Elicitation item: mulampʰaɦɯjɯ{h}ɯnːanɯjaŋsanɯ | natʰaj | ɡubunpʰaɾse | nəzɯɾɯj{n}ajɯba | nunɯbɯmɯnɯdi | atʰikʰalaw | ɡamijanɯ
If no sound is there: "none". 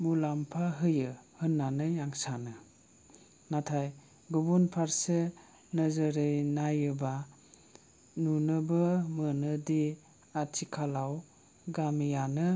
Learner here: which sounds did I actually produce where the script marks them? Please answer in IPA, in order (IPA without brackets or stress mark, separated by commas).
h, n